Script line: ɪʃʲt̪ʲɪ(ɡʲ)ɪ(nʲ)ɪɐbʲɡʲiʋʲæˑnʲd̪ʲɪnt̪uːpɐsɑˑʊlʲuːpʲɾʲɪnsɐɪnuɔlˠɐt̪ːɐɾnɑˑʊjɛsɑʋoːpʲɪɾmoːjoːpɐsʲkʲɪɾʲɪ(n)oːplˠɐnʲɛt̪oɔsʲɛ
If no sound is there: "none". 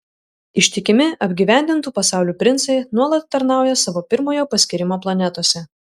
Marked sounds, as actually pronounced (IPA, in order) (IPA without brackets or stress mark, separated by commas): kʲ, mʲ, m